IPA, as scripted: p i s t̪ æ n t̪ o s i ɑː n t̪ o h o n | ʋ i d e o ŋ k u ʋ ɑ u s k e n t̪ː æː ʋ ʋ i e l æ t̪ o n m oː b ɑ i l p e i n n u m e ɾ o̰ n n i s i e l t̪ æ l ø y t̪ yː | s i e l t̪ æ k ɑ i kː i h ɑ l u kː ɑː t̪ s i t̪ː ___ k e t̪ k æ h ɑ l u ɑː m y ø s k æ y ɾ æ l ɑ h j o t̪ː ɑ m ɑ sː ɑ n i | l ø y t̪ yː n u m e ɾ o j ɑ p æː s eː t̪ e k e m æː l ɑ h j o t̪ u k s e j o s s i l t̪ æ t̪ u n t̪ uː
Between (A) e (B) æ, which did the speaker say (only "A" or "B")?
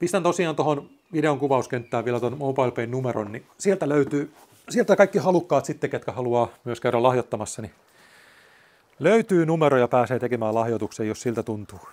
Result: A